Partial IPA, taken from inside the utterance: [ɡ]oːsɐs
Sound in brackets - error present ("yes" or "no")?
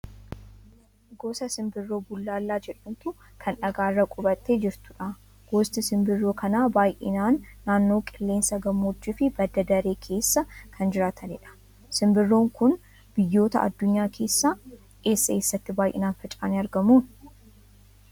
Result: no